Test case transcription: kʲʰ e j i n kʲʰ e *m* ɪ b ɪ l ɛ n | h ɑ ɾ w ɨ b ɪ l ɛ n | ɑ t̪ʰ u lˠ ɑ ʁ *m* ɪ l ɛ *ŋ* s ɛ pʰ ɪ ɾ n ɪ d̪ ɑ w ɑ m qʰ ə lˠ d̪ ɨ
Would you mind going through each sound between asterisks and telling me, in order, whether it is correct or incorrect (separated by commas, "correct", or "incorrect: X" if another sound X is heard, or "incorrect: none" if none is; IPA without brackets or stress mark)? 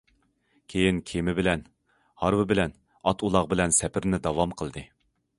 correct, incorrect: b, incorrect: n